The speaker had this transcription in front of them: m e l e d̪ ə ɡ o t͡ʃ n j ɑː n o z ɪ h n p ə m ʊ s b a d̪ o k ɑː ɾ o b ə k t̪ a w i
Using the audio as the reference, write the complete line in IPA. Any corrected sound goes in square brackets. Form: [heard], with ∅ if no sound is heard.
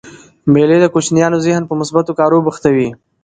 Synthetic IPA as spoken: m e l e d̪ ə [k] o t͡ʃ n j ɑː n o z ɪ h n p ə m ʊ s b a [t̪] o k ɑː ɾ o b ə [x] t̪ a w i